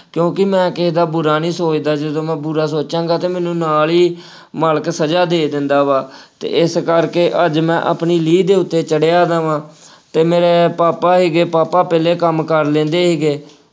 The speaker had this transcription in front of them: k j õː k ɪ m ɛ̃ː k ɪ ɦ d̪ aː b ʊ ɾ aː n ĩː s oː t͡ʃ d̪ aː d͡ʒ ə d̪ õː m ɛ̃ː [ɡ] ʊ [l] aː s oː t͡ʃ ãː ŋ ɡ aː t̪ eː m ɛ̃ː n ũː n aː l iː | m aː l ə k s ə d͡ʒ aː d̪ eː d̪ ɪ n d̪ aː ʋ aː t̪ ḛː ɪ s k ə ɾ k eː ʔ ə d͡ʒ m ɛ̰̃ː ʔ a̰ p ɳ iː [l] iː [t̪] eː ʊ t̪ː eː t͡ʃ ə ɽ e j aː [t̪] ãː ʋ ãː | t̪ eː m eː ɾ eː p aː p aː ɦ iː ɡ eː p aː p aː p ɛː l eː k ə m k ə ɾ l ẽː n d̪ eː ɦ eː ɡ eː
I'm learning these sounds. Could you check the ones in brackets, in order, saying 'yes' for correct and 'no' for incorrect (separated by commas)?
no, no, yes, no, no